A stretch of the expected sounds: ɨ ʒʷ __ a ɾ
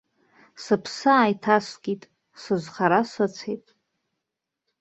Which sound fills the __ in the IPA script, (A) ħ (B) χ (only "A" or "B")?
B